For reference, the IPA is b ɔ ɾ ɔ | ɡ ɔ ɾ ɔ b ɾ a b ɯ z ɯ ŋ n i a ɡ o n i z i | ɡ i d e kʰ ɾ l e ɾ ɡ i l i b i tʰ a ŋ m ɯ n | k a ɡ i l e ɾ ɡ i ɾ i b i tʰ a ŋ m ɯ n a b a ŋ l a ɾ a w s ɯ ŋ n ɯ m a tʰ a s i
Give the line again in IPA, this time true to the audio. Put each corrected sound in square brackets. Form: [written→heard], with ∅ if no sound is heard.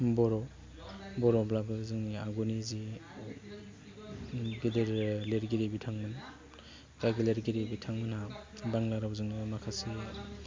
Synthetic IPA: b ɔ ɾ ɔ | [ɡ→b] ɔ ɾ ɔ b [ɾ→l] a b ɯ z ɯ ŋ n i a ɡ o n i z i | ɡ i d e [kʰ→∅] ɾ l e ɾ ɡ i [l→ɾ] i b i tʰ a ŋ m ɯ n | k a ɡ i l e ɾ ɡ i ɾ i b i tʰ a ŋ m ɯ n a b a ŋ l a ɾ a w [s→z] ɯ ŋ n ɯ m a [tʰ→kʰ] a s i